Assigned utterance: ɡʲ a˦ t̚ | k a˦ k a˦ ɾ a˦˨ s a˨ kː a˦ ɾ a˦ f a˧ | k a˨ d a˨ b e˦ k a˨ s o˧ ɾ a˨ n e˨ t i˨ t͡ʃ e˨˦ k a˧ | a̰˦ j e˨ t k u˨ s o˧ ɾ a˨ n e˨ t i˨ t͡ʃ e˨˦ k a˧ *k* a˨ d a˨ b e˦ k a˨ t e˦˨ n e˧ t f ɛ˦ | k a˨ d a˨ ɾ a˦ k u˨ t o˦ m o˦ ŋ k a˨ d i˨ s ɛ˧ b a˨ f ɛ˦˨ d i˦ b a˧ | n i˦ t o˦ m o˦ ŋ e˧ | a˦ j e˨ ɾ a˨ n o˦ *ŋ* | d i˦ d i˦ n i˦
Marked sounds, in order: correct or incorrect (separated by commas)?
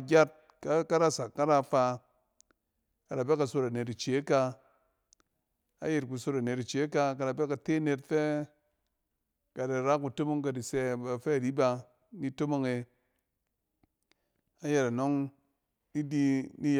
correct, correct